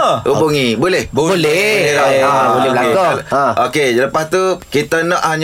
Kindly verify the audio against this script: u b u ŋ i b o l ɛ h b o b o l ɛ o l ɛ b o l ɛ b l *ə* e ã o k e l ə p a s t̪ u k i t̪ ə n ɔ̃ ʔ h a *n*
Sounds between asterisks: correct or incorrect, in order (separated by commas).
incorrect, incorrect